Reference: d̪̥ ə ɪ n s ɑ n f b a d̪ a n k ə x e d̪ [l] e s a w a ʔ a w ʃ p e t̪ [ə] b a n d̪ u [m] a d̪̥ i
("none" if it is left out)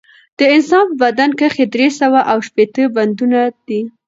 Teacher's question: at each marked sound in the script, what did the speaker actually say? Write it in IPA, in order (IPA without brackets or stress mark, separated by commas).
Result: ɾ, ə, n